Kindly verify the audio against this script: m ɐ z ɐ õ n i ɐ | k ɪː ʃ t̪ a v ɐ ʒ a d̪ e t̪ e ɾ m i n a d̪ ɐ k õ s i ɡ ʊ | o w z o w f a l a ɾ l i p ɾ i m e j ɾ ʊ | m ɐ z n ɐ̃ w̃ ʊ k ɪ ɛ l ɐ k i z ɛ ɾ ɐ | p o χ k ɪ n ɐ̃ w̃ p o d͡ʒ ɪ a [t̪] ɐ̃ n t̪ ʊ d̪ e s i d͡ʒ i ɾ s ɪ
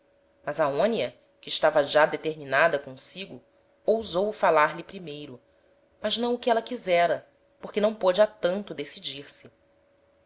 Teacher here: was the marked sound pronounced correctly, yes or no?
yes